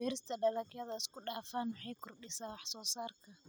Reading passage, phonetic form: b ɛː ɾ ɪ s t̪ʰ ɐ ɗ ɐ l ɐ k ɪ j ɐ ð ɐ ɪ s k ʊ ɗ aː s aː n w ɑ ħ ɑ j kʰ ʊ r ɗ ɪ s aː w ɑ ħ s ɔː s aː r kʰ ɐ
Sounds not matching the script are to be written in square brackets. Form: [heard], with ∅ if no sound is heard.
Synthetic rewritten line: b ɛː ɾ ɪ s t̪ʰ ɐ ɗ ɐ l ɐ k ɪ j ɐ ð ɐ ɪ s k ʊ ɗ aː [f] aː n w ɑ ħ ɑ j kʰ ʊ r ɗ ɪ s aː w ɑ ħ s ɔː s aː r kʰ ɐ